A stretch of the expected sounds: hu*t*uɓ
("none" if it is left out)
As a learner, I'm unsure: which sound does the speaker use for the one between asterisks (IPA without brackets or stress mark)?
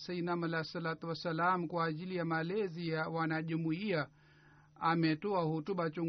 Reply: t